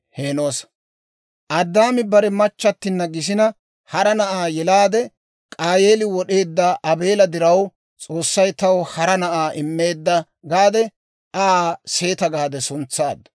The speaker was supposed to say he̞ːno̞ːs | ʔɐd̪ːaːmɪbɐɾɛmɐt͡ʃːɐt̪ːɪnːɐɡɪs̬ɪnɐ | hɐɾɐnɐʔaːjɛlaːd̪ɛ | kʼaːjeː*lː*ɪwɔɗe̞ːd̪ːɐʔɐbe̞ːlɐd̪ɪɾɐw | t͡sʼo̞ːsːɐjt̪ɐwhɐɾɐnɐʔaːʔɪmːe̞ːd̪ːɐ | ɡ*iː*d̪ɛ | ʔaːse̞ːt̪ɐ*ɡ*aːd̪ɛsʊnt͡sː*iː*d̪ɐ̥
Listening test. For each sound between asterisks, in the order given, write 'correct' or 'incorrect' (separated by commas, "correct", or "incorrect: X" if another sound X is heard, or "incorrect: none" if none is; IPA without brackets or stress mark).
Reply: incorrect: l, incorrect: aː, correct, incorrect: aː